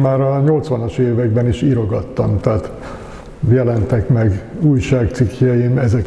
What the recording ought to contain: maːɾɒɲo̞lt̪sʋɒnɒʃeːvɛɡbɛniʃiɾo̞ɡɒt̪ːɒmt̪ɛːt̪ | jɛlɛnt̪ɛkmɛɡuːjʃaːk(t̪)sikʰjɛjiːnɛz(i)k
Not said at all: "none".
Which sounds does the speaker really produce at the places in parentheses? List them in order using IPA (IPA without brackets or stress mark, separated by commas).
t̪, ɛ